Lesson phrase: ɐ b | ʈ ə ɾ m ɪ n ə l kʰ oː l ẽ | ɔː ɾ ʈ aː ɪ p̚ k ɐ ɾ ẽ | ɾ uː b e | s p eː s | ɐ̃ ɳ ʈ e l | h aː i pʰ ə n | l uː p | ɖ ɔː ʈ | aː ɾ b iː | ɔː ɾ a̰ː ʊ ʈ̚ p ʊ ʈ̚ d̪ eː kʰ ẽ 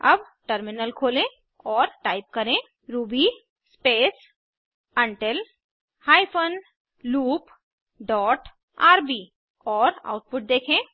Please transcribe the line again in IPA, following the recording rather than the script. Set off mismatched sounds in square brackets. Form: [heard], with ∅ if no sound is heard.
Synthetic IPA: ɐ b | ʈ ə ɾ m ɪ n ə l kʰ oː l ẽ | ɔː ɾ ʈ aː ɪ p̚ k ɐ ɾ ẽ | ɾ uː b [i] | s p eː s | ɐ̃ ɳ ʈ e l | h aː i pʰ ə n | l uː p | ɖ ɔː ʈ | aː ɾ b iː | ɔː ɾ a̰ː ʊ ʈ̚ p ʊ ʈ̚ d̪ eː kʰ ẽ

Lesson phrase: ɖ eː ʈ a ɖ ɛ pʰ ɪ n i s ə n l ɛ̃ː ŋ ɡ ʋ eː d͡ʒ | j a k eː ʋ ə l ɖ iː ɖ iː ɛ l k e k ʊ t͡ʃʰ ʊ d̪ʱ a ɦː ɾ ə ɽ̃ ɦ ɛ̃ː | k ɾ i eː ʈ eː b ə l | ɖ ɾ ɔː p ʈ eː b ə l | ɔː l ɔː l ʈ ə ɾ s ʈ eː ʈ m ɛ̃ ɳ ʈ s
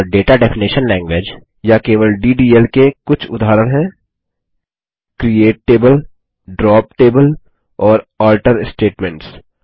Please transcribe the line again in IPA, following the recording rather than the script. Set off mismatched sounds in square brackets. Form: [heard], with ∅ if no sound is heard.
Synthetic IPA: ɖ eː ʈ a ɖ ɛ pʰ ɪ n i [ʃ] ə n l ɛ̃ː ŋ ɡ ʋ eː d͡ʒ | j a k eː ʋ ə l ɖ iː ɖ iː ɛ l k e k ʊ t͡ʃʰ ʊ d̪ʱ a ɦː ɾ ə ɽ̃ ɦ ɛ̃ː | k ɾ i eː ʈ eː b ə l | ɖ ɾ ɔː p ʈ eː b ə l | ɔː [ɾ] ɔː l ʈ ə ɾ s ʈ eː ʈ m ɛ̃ ɳ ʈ s

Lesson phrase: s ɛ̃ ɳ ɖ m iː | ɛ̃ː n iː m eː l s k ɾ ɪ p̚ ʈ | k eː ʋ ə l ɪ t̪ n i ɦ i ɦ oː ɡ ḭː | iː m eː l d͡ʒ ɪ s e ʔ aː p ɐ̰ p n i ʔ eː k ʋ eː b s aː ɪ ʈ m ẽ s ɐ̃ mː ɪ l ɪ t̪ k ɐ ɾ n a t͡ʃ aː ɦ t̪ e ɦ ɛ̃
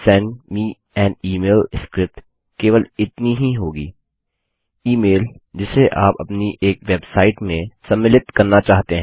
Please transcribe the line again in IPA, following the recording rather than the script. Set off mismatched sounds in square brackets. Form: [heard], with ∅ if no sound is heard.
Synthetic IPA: s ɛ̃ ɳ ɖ m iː | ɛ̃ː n iː m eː l s k ɾ ɪ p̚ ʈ | k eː ʋ ə l ɪ t̪ n i ɦ i ɦ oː ɡ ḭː | iː m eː l d͡ʒ ɪ s e ʔ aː p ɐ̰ p n i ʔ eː k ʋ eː b s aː ɪ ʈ m ẽ s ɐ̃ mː ɪ l ɪ t̪ k ɐ ɾ n a t͡ʃ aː ɦ t̪ e ɦ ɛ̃

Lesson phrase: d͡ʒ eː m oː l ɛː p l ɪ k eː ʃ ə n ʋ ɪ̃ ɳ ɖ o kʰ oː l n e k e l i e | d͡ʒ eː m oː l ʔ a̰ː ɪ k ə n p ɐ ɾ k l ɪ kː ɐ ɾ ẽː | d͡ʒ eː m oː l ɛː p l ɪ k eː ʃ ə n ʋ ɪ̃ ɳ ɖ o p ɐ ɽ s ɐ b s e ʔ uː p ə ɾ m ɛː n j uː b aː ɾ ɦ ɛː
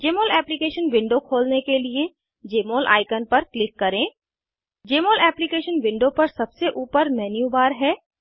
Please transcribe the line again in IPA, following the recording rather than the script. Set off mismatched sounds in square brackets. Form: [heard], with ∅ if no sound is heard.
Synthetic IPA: d͡ʒ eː m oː l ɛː p l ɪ k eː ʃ ə n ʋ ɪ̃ ɳ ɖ o kʰ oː l n e k e l i e | d͡ʒ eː m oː l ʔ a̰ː ɪ k ə n p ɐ ɾ k l ɪ kː ɐ ɾ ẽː | d͡ʒ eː m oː l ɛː p l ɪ k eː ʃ ə n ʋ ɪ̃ ɳ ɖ o p ɐ [ɾ] s ɐ b s e ʔ uː p ə ɾ m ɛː n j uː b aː ɾ ɦ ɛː

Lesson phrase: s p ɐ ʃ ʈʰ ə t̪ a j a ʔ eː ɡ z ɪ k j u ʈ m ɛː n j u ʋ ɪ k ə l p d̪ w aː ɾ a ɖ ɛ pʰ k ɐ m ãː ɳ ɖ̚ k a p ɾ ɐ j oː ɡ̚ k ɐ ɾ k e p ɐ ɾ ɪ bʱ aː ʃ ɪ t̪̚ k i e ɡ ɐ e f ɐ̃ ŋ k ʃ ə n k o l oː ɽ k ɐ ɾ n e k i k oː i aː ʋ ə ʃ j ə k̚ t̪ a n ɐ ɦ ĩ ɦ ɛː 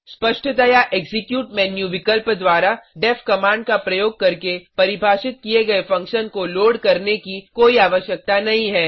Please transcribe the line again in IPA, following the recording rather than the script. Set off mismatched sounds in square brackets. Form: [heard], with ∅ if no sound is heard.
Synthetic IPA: s p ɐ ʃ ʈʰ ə t̪ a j a ʔ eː ɡ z ɪ k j [uː] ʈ m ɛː n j u ʋ ɪ k ə l p d̪ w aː ɾ a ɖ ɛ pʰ k ɐ m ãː ɳ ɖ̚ k a p ɾ ɐ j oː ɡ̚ k ɐ ɾ k e p ɐ ɾ ɪ bʱ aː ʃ ɪ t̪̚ k i e ɡ ɐ e f ɐ̃ ŋ k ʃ ə n k o l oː ɽ k ɐ ɾ n e k i k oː i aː ʋ ə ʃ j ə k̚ t̪ a n ɐ ɦ ĩ ɦ ɛː

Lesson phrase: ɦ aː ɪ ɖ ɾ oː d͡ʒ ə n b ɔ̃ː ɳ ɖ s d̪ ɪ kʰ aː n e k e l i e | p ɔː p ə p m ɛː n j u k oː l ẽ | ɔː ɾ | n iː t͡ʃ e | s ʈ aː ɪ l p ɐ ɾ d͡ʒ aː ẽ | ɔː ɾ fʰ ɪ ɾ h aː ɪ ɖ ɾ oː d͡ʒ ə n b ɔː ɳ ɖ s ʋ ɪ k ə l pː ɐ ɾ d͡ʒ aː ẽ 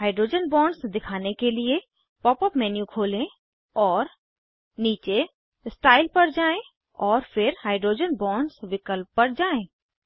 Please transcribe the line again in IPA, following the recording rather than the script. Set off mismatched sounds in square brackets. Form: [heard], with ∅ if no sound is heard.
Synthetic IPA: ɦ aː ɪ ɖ ɾ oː d͡ʒ ə n b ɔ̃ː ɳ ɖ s d̪ ɪ kʰ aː n e k e l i e | p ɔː p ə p m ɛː n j u [kʰ] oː l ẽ | ɔː ɾ | n iː t͡ʃ e | s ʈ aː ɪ l p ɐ ɾ d͡ʒ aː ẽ | ɔː ɾ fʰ ɪ ɾ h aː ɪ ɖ ɾ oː d͡ʒ ə n b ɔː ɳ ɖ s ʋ ɪ k ə l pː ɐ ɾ d͡ʒ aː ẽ

